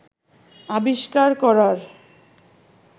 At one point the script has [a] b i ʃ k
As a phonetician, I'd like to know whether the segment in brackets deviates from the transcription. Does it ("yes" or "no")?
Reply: no